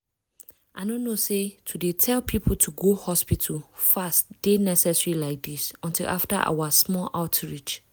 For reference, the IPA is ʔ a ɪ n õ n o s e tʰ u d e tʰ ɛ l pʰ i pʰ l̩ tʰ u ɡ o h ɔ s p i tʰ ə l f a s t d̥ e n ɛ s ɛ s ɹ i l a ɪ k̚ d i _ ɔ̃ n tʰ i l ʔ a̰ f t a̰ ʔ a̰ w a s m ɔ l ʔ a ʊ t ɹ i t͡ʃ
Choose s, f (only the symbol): s